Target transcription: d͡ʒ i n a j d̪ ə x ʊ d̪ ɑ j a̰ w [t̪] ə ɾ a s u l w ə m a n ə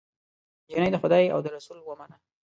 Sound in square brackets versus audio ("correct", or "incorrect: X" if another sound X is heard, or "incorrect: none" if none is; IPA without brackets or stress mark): incorrect: d̪